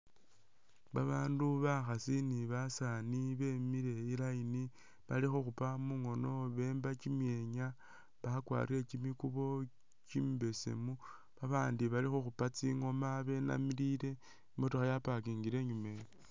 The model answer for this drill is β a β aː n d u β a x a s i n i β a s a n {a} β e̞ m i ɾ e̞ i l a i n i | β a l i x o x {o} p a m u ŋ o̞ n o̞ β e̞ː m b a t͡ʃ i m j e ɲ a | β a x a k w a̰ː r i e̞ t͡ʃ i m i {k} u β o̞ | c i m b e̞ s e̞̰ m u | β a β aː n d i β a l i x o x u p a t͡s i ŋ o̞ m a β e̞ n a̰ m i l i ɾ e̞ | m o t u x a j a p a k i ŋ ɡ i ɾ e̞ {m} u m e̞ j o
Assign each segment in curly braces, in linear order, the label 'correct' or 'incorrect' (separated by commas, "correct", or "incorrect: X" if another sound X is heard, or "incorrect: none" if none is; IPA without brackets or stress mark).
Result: incorrect: i, incorrect: u, correct, incorrect: ɲ